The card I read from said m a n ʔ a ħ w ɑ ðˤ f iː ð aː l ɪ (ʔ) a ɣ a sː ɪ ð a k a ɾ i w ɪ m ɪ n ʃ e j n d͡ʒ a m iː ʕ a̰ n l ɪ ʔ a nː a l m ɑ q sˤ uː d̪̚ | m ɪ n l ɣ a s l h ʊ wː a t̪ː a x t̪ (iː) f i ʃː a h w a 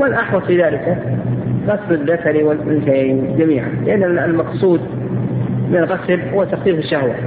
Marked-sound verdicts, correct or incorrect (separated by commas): incorrect, correct